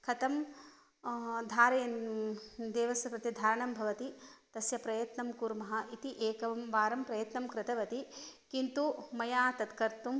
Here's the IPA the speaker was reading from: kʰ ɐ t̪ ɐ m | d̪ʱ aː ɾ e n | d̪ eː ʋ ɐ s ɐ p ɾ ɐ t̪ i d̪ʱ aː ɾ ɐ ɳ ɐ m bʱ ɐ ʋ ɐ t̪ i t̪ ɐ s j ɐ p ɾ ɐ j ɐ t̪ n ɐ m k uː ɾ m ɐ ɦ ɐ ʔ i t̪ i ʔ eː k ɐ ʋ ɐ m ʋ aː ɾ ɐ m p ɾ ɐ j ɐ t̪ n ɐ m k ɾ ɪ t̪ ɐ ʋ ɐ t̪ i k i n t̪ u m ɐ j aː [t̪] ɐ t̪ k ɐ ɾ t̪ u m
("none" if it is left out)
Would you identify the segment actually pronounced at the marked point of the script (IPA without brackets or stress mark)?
t̪